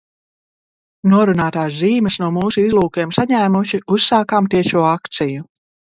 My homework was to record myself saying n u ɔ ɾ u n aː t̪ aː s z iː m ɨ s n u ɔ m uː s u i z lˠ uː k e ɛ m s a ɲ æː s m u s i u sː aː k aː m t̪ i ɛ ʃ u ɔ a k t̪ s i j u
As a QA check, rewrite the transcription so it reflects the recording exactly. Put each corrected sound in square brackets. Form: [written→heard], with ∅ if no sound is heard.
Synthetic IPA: n u ɔ ɾ u n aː t̪ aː s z iː m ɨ s n u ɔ m uː s u i z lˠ uː k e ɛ m s a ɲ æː [s→∅] m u [s→ʃ] i u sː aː k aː m t̪ i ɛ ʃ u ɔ a k t̪ s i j u